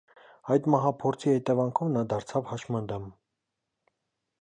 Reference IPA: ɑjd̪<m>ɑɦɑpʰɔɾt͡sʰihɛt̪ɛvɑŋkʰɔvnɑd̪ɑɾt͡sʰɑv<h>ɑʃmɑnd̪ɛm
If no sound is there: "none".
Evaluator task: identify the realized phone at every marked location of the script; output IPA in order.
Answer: m, h

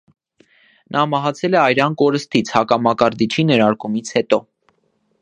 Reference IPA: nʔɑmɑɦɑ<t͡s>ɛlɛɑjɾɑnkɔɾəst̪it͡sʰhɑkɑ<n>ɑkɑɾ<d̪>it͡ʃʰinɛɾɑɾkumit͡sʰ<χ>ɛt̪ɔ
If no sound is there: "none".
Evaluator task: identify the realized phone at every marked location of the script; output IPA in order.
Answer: t͡sʰ, m, d̪, h

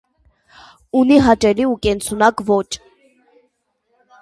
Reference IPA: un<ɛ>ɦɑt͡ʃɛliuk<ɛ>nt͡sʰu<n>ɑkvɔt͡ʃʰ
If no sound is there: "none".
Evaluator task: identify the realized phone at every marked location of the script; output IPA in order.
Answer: i, ɛ, n

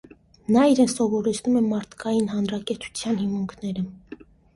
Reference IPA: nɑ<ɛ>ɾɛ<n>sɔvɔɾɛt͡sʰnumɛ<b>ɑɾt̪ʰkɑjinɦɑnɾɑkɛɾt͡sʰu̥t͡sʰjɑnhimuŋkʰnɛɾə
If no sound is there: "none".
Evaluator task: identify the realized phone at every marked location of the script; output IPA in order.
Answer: i, n, m

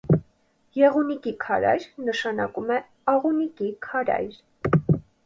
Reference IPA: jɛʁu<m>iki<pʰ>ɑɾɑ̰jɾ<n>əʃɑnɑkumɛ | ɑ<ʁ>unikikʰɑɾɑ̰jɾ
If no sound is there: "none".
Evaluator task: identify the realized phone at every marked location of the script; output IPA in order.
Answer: n, kʰ, n, ʁ

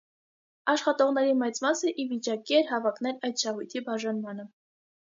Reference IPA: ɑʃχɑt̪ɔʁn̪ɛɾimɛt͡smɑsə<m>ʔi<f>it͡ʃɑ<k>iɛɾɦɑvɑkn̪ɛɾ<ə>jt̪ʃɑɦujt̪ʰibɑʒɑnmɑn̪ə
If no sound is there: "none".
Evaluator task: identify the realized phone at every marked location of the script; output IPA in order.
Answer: none, v, k, ɑ

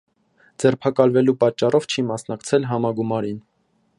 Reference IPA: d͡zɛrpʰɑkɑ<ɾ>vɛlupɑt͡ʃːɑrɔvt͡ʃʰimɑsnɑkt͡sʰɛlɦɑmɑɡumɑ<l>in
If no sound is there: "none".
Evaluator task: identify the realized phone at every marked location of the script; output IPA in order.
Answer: l, ɾ

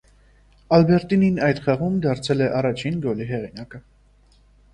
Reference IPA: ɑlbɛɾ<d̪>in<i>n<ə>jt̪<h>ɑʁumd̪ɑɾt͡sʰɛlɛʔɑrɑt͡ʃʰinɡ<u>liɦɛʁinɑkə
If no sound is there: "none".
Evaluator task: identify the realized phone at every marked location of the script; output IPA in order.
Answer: t̪, i, ɑ, χ, ɔ

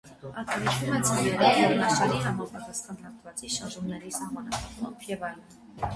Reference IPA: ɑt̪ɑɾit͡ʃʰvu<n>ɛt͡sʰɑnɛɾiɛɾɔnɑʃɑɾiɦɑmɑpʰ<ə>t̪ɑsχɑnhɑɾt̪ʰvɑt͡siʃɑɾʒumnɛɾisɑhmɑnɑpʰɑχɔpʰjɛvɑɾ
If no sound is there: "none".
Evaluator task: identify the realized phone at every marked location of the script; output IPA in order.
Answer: m, ɑ

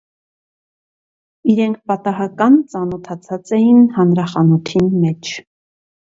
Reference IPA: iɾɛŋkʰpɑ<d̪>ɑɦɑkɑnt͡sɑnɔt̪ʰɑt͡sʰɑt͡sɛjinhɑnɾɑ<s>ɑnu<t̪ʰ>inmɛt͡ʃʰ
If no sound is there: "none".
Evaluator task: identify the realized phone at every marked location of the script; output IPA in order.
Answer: t̪, χ, t̪ʰ

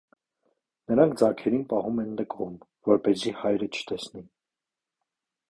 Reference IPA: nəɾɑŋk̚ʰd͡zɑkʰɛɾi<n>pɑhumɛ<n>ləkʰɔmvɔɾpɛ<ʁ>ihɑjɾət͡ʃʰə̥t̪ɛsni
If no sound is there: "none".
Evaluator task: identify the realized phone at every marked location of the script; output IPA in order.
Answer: n, n, z

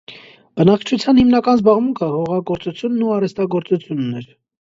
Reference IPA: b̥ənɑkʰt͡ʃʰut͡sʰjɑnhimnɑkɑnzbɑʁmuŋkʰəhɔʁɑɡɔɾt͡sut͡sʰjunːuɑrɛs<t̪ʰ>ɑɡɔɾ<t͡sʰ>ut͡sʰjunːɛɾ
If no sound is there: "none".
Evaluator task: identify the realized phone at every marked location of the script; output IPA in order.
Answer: t̪, t͡s

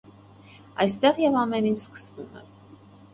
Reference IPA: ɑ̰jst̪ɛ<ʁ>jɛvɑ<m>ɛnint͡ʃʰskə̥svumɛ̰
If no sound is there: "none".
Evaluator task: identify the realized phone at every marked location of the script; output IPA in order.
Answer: ʁ, m

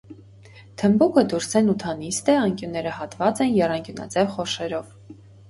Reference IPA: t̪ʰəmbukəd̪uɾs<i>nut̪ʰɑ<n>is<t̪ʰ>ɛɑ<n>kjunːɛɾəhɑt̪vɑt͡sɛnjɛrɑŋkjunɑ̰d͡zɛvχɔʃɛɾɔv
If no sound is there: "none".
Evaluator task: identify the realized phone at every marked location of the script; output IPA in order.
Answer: ɛ, n, t̪, ŋ

